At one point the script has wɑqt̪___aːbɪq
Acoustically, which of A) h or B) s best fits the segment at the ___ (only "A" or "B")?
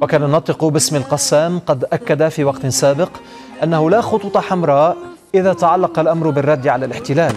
B